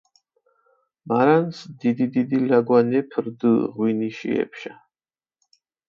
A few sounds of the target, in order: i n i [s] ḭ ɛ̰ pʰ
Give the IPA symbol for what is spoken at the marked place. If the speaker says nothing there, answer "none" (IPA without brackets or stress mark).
ʃ